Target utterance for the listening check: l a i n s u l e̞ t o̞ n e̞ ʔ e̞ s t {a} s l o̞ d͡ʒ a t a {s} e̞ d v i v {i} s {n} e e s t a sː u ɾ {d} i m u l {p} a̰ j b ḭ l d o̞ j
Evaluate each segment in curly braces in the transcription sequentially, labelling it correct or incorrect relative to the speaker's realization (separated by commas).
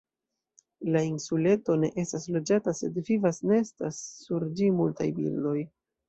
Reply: correct, correct, incorrect, correct, incorrect, incorrect